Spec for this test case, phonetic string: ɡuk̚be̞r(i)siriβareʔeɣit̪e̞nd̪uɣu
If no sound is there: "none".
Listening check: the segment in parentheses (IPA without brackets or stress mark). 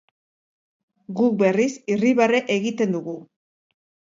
i